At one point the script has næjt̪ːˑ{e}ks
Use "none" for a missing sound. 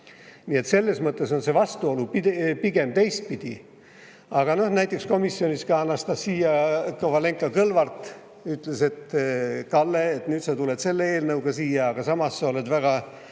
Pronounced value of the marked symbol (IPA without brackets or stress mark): e